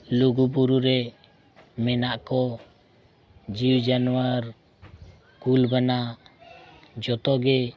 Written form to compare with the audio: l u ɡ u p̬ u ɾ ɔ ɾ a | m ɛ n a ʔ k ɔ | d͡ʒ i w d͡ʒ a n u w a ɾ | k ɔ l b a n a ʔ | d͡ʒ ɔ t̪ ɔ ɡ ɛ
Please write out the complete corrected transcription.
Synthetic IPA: l u ɡ u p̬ u ɾ u ɾ ɛ | m ɛ n a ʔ k ɔ | d͡ʒ i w d͡ʒ a n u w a ɾ | k u l b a n a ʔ | d͡ʒ ɔ t̪ ɔ ɡ ɛ